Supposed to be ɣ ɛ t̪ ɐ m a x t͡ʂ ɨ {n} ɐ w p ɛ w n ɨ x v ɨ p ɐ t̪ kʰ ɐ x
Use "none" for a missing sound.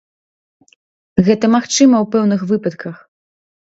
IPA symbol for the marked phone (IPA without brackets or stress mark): m